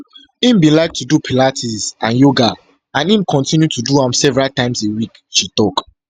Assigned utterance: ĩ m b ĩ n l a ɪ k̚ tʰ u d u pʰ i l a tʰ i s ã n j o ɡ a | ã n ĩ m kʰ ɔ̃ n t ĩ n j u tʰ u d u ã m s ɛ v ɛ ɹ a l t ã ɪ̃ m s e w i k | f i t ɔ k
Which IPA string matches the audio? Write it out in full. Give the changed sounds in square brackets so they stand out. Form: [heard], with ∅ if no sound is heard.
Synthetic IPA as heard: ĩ m b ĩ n l a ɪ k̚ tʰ u d u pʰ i l a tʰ i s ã n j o ɡ a | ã n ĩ m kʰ ɔ̃ n t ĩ n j u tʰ u d u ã m s ɛ v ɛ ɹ a l t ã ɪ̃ m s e w i k | [ʃ] i t ɔ k